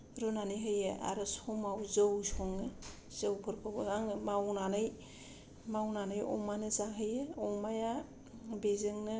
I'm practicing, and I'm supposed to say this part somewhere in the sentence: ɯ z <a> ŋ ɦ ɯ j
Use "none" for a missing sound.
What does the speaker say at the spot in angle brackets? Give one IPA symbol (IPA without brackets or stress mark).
a